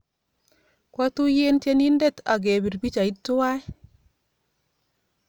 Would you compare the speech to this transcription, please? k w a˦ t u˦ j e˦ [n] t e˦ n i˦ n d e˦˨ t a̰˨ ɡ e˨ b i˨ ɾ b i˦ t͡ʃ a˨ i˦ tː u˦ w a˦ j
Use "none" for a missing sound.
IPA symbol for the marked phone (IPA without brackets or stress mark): n